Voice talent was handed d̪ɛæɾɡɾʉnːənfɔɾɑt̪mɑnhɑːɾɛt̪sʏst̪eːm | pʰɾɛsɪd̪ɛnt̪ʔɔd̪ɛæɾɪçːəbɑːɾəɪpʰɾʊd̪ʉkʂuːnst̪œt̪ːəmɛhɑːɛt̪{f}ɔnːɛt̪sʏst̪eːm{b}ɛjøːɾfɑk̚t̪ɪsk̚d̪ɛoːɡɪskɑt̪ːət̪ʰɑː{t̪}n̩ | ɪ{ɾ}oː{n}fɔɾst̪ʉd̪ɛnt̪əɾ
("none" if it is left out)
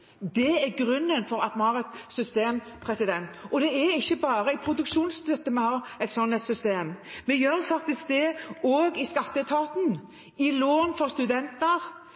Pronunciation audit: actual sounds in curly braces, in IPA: s, m, t̪, l, n

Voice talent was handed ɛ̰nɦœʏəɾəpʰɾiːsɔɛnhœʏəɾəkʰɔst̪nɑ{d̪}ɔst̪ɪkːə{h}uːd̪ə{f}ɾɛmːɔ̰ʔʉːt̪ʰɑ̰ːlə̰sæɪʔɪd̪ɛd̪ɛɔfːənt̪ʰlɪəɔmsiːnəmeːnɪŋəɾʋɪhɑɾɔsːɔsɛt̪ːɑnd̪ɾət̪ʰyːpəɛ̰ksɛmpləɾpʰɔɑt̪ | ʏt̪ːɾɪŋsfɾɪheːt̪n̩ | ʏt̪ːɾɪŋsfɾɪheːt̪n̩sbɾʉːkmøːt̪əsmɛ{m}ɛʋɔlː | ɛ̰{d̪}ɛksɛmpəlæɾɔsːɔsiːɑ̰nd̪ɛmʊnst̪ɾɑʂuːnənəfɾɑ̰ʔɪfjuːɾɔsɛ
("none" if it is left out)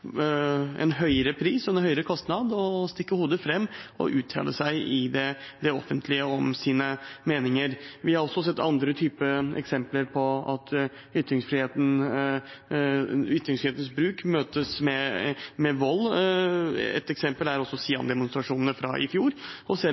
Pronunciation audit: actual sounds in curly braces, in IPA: d̪, h, f, m, t̪

